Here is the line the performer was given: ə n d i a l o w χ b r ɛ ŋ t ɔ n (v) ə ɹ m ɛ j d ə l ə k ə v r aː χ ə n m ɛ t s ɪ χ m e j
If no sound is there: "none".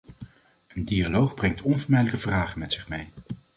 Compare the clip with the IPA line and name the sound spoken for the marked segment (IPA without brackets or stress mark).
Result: v